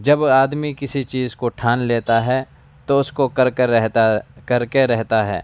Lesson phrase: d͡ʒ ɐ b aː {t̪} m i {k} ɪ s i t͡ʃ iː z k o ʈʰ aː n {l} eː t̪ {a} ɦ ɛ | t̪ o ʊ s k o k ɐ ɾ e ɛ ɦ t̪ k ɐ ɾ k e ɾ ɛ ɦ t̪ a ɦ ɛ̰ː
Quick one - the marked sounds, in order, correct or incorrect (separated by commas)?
incorrect, correct, correct, correct